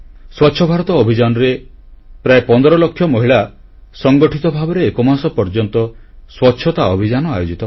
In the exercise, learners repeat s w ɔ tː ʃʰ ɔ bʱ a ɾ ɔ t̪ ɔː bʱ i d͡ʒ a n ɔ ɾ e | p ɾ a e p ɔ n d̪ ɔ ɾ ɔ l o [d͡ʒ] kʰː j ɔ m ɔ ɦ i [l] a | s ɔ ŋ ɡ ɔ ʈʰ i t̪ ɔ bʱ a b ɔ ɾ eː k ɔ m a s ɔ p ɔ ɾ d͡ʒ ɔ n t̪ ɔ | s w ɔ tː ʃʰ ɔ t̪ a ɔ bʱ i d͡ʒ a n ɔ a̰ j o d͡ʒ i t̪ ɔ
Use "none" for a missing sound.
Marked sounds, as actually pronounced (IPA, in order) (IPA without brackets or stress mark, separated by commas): none, ɭ